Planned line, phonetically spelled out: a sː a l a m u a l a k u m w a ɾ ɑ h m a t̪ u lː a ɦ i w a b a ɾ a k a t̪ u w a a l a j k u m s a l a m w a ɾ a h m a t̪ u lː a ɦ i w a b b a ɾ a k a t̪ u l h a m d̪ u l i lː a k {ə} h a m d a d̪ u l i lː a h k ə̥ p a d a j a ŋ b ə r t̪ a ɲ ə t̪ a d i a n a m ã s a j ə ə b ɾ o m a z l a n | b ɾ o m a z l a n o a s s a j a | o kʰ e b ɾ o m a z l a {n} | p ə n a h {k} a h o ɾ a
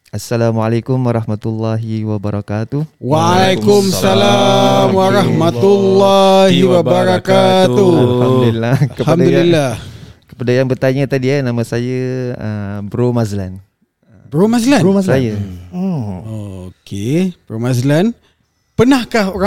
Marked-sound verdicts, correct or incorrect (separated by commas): correct, correct, correct